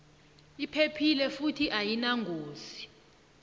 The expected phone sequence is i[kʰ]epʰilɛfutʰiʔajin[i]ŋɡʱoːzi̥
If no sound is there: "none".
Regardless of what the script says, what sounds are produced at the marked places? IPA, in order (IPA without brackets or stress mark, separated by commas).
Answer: pʰ, a